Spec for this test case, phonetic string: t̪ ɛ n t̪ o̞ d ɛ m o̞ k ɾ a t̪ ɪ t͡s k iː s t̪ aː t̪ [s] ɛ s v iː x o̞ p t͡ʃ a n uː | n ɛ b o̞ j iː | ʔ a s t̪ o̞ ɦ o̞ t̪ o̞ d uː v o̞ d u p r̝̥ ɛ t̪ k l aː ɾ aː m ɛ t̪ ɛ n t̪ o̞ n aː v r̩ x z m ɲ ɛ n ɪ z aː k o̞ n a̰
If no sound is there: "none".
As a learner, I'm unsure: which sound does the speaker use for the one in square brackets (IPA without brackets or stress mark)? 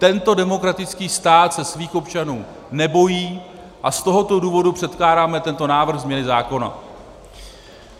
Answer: s